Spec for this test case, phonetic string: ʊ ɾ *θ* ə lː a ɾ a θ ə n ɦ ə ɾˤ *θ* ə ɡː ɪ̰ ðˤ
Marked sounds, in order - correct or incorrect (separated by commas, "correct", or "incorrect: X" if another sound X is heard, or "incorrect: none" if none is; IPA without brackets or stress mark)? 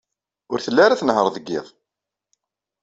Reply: correct, incorrect: ð